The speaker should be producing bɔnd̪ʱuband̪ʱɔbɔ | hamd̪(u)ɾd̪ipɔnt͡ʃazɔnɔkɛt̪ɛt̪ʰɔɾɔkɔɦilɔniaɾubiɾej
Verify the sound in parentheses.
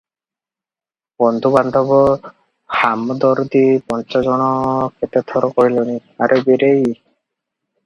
incorrect: ɔ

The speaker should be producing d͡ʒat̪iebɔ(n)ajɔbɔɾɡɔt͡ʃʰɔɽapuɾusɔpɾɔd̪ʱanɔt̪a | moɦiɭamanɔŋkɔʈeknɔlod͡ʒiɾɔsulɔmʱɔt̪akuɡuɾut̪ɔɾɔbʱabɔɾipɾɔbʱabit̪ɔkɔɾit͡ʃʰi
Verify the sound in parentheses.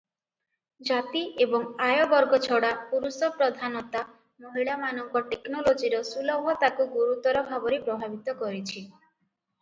incorrect: ŋ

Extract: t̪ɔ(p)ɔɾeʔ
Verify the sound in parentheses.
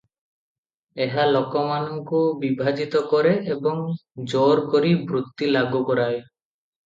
incorrect: k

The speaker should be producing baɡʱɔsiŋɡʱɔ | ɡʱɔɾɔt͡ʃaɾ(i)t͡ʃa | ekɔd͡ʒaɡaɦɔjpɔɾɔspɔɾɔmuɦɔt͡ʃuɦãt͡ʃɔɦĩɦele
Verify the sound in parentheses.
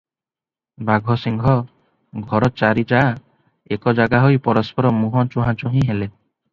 correct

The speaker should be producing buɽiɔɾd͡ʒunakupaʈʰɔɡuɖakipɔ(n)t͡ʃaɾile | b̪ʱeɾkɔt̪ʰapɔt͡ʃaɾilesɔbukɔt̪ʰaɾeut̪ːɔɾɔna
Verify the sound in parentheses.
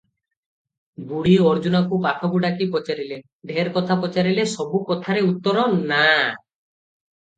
incorrect: none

